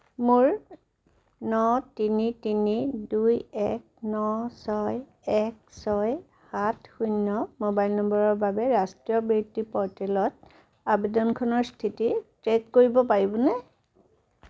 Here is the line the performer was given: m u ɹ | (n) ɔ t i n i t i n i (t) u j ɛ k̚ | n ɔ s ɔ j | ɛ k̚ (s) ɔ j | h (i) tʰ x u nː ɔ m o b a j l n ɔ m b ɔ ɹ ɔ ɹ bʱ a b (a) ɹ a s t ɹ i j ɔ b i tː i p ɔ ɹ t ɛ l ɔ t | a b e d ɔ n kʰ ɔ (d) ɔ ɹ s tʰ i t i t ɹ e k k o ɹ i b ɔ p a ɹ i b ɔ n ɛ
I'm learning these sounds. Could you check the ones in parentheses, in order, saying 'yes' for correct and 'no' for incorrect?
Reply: yes, no, yes, no, no, no

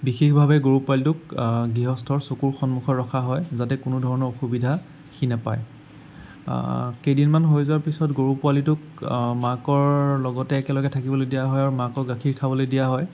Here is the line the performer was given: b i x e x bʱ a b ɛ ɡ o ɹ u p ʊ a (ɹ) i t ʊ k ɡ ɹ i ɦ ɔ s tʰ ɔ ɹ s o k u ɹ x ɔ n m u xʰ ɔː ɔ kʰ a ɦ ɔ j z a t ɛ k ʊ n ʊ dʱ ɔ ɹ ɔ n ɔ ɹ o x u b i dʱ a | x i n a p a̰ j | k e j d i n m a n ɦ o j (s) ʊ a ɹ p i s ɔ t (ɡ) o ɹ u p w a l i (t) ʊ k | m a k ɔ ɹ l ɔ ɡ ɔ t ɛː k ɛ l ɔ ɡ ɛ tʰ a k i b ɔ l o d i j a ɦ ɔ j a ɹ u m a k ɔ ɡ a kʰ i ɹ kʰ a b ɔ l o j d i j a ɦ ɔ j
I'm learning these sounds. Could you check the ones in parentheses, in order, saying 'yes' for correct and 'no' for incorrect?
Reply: no, no, yes, yes

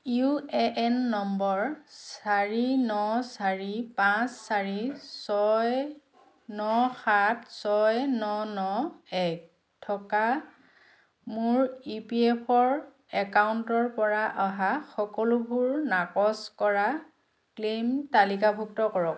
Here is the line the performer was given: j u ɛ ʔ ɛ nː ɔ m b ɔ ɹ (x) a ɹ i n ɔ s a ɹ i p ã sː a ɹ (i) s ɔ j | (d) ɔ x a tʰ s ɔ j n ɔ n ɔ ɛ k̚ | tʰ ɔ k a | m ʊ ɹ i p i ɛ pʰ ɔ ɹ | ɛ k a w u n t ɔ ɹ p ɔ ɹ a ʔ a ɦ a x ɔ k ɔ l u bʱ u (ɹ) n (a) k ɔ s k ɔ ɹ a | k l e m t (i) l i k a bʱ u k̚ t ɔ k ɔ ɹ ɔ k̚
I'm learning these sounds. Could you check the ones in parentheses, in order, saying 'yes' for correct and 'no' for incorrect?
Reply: no, yes, no, yes, yes, no

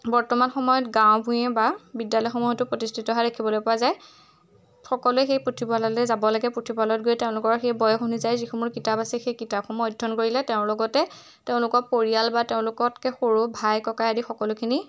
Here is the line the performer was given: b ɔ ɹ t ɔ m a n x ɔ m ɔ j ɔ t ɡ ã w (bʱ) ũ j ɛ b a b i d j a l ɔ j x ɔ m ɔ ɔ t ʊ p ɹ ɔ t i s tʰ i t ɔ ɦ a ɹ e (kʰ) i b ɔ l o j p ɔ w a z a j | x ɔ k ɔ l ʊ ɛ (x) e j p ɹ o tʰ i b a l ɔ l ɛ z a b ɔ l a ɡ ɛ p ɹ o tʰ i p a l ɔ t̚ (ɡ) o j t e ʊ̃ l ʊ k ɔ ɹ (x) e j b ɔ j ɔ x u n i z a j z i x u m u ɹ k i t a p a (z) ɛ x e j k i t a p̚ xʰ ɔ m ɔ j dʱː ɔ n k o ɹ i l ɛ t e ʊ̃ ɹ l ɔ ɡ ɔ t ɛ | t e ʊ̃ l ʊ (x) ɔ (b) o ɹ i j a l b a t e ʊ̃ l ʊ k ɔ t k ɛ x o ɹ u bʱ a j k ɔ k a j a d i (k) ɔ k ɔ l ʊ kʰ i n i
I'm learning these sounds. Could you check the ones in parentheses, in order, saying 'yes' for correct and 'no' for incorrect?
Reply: yes, yes, yes, yes, yes, no, no, no, no

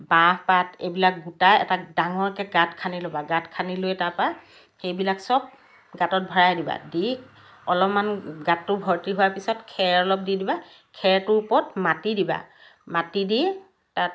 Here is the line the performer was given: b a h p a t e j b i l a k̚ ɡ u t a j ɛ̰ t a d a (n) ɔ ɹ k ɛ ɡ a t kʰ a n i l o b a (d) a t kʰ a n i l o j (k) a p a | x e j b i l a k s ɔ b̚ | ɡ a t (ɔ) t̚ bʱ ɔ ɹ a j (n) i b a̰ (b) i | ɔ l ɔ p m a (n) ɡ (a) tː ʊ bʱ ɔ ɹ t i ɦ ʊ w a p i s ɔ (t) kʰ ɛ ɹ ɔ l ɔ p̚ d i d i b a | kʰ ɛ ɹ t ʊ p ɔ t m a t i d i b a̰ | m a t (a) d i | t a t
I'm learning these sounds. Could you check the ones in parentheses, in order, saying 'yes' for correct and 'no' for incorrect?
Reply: no, no, no, yes, no, no, yes, yes, yes, no

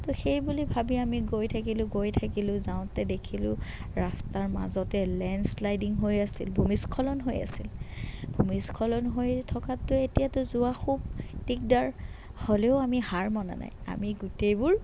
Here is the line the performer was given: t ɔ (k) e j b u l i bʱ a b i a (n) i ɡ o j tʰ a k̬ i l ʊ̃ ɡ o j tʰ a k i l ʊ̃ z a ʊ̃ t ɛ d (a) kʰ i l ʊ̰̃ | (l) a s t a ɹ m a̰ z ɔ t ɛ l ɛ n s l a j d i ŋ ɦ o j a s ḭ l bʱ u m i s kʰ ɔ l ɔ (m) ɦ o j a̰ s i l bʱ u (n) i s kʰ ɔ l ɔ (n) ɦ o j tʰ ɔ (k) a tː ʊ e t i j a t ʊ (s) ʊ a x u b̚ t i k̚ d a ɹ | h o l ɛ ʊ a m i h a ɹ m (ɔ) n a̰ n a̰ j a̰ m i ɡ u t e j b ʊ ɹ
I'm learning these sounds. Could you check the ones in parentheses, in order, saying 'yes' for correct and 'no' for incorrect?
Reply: no, no, no, no, no, no, yes, yes, no, yes

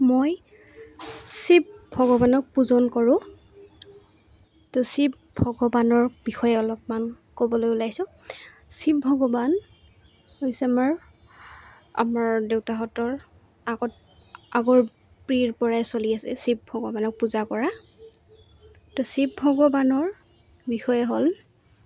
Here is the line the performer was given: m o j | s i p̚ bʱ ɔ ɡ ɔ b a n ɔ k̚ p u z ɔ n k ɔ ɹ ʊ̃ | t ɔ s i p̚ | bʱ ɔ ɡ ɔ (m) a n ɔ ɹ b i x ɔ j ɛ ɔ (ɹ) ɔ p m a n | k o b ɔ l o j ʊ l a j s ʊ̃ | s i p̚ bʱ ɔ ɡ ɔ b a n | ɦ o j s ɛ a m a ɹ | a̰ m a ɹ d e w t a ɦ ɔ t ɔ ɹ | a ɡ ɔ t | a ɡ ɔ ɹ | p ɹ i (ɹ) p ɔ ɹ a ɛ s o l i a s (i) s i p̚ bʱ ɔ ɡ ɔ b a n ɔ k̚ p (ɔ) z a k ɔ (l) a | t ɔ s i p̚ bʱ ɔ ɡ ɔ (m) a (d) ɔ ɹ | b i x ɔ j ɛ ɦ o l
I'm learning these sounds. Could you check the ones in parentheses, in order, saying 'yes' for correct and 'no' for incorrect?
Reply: no, no, yes, no, no, no, no, no

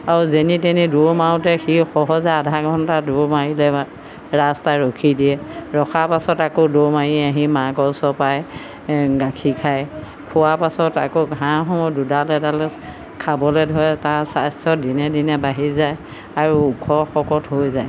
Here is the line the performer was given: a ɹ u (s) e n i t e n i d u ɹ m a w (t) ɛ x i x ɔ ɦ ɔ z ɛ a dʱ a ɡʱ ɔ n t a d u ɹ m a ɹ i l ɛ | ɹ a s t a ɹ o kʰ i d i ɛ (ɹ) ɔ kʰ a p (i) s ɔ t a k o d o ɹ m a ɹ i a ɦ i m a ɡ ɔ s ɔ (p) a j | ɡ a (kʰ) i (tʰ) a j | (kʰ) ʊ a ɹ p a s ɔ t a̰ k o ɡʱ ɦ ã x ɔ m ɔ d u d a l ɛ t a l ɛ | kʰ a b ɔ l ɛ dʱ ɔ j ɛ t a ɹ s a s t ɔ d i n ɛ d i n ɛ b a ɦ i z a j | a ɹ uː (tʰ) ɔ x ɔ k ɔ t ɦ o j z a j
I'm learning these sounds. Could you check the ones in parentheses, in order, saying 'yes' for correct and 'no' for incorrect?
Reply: no, yes, yes, no, yes, yes, no, yes, no

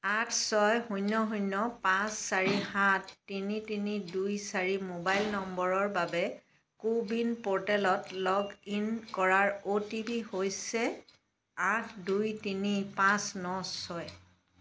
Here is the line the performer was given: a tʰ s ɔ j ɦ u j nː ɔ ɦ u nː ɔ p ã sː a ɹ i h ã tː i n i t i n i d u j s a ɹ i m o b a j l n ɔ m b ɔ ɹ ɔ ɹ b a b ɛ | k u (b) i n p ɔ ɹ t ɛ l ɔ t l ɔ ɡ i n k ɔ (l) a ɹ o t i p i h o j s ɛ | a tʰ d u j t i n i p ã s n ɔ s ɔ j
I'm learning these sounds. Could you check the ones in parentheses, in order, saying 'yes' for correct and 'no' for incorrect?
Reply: yes, no

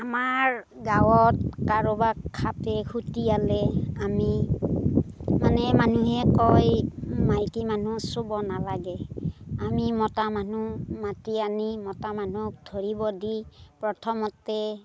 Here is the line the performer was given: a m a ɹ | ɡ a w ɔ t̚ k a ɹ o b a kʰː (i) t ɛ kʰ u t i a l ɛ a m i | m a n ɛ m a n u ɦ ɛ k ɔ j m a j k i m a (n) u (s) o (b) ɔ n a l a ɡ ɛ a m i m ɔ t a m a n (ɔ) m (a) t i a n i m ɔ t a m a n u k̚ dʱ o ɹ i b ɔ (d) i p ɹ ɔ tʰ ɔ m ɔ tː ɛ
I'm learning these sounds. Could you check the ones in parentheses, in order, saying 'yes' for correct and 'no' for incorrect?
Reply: no, yes, yes, yes, no, yes, yes

